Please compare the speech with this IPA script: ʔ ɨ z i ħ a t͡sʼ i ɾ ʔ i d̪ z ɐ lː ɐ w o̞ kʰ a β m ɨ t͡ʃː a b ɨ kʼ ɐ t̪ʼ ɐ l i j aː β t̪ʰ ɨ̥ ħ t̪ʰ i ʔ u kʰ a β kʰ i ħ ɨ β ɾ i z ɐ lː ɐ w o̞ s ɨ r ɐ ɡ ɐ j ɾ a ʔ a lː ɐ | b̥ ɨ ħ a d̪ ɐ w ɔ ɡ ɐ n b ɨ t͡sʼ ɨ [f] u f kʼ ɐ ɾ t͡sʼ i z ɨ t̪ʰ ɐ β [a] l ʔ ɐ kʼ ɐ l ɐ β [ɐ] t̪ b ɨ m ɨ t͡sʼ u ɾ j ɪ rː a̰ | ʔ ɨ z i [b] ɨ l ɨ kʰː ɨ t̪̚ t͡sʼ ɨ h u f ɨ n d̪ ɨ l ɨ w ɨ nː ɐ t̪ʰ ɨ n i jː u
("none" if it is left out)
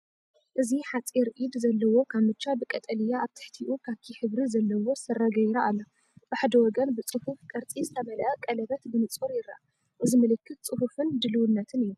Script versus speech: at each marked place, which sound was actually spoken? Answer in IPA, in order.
h, ɐ, ɐ, m

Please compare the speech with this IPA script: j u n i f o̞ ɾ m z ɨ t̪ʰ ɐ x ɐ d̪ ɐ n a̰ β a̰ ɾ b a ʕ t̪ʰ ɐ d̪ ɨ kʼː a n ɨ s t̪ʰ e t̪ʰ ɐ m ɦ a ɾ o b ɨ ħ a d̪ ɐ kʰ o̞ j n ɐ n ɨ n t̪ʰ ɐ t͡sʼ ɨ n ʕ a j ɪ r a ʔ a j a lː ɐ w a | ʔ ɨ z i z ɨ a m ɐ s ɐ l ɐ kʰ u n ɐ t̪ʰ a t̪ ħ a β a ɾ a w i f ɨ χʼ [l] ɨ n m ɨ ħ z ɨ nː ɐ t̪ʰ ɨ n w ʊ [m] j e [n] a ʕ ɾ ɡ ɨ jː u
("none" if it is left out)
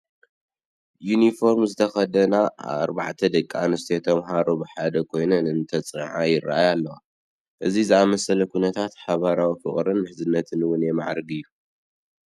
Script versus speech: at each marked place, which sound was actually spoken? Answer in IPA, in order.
ɾ, n, m

